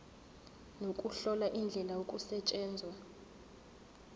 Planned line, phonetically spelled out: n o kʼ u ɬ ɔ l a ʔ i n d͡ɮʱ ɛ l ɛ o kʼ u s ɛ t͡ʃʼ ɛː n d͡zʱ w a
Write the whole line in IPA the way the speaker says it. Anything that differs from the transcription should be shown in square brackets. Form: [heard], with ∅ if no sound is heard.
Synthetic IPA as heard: n o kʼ u ɬ ɔ l a ʔ i n d͡ɮʱ ɛ l [a] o kʼ u s ɛ t͡ʃʼ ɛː n d͡zʱ w a